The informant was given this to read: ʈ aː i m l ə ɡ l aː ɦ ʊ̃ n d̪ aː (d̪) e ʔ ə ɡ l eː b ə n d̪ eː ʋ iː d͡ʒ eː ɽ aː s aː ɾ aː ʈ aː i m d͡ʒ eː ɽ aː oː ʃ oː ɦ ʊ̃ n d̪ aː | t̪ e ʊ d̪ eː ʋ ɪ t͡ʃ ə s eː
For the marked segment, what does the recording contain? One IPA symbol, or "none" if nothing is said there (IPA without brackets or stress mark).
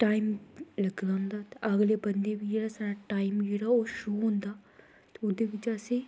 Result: t̪